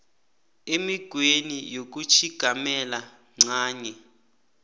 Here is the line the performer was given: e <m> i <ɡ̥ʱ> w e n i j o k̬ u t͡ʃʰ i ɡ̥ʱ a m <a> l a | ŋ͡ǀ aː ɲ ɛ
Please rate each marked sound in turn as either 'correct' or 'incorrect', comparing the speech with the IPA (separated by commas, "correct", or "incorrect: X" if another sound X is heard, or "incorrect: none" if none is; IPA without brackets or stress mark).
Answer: correct, correct, incorrect: ɛ